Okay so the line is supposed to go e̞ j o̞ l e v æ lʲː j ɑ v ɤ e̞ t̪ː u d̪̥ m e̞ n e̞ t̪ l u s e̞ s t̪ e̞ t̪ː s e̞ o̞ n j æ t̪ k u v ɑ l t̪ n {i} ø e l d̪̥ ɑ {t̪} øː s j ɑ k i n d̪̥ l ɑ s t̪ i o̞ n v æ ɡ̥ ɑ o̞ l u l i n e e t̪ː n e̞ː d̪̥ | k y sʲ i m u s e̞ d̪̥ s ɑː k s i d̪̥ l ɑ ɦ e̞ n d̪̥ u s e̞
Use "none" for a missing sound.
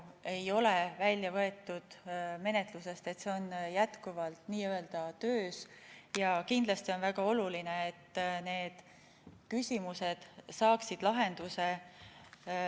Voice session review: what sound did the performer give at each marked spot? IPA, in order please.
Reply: iː, t̪

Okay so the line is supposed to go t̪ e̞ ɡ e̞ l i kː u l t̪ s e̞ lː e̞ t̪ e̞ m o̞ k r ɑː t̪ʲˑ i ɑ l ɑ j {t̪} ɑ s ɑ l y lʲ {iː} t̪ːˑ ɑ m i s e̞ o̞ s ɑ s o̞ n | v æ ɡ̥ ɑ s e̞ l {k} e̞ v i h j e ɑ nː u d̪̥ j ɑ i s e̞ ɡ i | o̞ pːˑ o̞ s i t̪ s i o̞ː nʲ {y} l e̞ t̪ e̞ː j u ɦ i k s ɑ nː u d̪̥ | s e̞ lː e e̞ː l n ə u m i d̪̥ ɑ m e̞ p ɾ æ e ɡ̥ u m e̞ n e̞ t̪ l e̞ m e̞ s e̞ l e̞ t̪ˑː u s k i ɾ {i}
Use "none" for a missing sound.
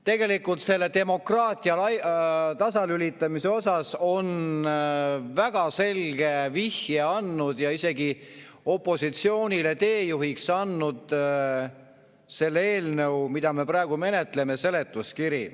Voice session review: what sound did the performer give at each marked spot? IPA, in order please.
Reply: t̪, i, ɡ, i, i

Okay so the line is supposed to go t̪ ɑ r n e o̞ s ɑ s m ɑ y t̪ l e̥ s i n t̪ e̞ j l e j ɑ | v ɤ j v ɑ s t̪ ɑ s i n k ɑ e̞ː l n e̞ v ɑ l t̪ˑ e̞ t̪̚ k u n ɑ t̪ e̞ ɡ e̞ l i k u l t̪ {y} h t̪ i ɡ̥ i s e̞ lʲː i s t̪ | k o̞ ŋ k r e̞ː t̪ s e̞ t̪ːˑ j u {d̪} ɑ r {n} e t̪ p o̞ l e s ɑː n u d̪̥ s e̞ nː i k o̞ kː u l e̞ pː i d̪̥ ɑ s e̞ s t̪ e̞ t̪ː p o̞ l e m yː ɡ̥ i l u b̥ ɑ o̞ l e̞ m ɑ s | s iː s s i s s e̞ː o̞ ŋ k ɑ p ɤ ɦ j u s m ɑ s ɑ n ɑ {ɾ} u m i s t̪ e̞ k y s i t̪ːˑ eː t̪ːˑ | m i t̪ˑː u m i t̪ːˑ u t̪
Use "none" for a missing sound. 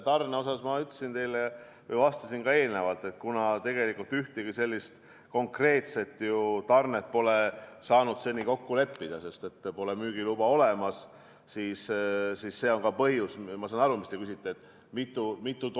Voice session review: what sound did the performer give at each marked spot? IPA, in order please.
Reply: y, t̪, n, ɾ

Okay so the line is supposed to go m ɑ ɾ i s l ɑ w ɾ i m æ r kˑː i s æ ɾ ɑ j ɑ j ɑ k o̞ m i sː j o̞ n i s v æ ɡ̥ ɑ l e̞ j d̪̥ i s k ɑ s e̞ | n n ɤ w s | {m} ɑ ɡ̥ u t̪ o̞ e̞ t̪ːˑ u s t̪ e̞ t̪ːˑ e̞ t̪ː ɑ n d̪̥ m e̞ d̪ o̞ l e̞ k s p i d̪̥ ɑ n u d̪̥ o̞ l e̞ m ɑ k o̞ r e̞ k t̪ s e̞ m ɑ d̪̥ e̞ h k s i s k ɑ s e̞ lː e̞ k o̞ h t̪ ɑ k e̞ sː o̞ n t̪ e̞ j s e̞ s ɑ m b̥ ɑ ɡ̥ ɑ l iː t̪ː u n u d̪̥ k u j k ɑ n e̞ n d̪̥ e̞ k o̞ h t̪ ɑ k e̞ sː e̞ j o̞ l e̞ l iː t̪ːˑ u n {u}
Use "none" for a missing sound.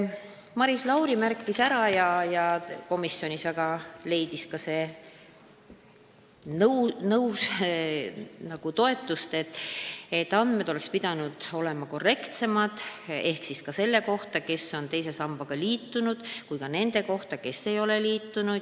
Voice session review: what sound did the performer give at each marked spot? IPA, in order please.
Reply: n, u

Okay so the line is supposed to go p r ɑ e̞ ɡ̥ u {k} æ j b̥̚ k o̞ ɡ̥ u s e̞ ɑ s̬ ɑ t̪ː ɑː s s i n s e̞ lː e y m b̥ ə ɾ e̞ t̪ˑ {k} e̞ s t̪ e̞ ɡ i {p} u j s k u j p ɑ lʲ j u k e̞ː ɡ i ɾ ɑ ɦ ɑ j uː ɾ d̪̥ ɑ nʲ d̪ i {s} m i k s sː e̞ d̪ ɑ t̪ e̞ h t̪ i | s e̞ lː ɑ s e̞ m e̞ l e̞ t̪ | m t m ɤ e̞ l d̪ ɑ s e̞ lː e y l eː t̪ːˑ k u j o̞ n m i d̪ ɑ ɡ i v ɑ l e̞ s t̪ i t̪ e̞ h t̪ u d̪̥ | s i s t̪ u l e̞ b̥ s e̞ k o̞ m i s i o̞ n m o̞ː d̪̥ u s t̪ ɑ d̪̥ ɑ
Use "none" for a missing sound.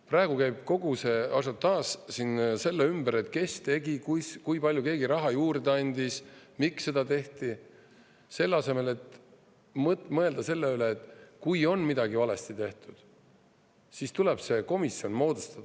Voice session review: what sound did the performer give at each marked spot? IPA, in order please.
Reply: k, k, k, s

